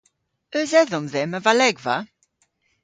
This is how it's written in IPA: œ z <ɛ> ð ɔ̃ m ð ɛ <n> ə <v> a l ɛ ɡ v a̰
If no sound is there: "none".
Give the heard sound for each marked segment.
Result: ɛ, m, v

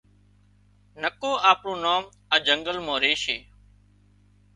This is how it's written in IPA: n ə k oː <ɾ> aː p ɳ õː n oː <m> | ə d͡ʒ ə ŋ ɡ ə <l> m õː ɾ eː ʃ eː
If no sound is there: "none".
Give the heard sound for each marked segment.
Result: none, m, l

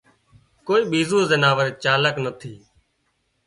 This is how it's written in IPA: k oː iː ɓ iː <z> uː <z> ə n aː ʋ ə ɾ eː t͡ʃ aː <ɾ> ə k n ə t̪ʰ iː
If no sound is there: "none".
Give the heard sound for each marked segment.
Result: z, z, l

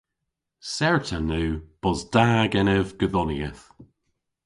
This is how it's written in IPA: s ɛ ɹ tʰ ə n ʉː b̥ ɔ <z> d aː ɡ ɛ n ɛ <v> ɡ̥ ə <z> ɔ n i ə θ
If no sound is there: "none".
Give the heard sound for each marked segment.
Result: z, v, ð

